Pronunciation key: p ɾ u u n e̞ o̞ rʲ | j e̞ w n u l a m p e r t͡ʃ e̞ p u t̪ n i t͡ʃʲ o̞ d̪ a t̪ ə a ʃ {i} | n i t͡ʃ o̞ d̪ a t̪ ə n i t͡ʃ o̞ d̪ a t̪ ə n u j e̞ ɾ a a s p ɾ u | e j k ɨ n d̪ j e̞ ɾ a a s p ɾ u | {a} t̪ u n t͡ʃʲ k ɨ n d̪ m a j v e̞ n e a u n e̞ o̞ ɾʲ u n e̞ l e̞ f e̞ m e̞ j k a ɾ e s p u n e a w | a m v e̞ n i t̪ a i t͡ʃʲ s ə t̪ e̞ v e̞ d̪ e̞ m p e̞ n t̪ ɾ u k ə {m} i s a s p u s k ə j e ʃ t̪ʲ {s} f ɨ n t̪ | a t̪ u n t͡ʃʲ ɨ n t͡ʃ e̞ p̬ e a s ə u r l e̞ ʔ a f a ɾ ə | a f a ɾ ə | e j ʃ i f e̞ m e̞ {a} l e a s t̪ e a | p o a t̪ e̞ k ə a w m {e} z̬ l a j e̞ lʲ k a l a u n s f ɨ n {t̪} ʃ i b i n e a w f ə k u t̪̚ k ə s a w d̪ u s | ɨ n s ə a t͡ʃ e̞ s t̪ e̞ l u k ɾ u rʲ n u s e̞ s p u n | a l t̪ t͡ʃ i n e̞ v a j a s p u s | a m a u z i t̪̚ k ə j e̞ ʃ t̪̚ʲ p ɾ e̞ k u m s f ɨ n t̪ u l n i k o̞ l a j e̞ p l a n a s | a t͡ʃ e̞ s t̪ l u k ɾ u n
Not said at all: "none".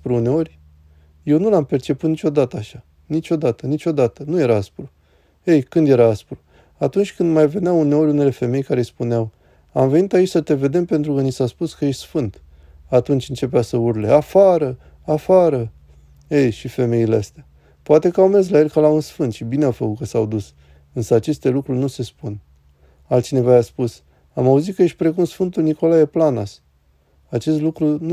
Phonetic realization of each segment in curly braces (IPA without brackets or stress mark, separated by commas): a, a, n, s, i, e, t̪